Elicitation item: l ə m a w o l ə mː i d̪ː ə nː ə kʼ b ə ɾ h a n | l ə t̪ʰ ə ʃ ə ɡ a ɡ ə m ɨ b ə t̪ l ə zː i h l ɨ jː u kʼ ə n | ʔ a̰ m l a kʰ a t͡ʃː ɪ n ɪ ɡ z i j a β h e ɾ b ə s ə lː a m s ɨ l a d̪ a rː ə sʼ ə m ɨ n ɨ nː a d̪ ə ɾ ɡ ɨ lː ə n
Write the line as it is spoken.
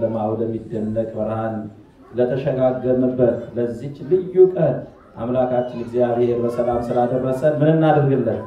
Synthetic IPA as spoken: l ə m a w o l ə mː i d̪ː ə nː ə kʼ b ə ɾ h a n | l ə t̪ʰ ə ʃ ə ɡ a ɡ ə m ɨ b ə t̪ l ə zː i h l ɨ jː u kʼ ə n | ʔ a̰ m l a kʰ a t͡ʃː ɪ n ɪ ɡ z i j a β h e ɾ b ə s ə l a m s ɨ l a d̪ ə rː ə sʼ ə m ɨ n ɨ nː a d̪ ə ɾ ɡ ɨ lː ə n